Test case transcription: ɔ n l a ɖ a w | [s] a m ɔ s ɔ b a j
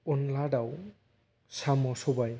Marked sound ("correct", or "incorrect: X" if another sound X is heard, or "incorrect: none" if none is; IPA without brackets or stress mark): correct